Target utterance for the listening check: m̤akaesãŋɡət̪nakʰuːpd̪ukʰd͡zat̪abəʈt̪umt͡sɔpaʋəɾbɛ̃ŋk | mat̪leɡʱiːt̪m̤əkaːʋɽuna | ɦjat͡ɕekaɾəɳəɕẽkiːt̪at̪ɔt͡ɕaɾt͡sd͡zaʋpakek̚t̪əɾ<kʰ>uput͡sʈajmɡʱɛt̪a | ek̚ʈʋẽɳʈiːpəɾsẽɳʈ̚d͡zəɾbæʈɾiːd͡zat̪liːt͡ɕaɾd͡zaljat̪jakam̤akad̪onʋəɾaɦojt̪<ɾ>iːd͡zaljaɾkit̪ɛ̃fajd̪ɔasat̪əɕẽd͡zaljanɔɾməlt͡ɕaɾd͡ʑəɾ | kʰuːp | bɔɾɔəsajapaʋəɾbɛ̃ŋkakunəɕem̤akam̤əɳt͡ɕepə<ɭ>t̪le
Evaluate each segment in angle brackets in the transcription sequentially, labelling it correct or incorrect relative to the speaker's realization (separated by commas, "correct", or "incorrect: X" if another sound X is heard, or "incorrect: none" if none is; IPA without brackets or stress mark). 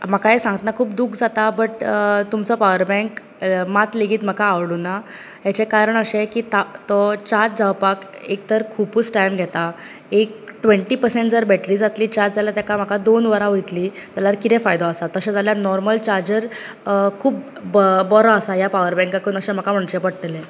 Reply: correct, incorrect: l, incorrect: ɽ